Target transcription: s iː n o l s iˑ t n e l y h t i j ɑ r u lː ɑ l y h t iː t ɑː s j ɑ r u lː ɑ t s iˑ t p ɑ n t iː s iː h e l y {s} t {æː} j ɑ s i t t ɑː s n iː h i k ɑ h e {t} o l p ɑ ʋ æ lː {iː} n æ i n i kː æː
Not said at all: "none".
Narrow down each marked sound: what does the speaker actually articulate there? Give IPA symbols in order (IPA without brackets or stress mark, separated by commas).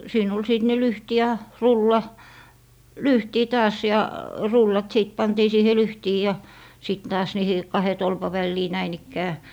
h, iː, t, iː